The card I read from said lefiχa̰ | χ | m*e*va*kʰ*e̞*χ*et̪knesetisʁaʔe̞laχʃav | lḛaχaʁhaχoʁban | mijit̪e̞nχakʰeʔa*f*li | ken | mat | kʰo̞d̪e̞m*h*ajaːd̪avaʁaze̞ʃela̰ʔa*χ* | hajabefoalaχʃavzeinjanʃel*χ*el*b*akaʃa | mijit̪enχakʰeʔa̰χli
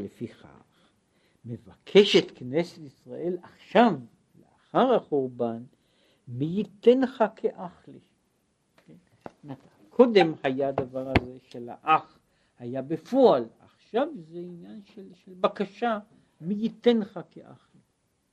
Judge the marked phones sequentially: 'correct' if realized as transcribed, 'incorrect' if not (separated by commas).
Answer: correct, correct, incorrect, incorrect, correct, correct, incorrect, correct